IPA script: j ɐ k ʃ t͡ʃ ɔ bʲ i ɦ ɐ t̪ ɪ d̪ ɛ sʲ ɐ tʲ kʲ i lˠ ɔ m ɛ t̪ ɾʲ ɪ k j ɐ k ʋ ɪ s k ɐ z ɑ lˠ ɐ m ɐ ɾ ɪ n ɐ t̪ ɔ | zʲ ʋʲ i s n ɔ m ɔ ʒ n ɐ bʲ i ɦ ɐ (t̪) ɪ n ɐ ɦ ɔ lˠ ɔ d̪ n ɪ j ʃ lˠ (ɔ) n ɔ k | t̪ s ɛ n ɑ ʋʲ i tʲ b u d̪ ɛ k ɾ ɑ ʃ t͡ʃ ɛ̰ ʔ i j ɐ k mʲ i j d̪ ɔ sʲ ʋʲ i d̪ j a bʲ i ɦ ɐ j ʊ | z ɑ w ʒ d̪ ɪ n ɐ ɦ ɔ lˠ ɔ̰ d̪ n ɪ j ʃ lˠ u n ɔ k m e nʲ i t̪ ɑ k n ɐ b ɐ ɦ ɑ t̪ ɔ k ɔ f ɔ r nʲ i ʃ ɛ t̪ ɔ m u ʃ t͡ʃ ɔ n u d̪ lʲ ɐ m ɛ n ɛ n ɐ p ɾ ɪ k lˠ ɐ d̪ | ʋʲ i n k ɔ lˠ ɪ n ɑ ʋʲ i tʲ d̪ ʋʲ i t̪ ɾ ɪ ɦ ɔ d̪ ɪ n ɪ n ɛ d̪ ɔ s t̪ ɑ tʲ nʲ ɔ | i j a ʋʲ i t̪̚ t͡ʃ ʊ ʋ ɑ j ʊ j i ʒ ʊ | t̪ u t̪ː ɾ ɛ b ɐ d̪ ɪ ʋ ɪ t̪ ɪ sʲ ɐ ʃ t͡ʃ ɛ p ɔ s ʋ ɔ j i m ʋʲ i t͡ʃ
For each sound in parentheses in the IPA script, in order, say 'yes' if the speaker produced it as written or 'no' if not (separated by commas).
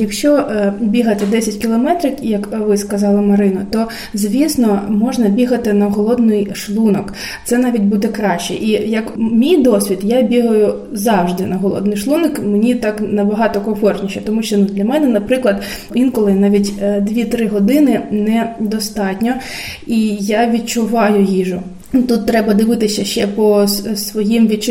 yes, no